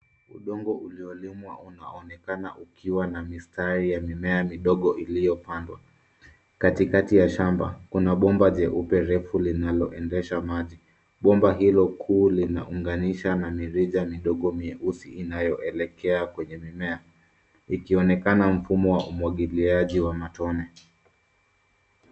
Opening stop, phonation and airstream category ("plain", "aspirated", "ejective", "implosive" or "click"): implosive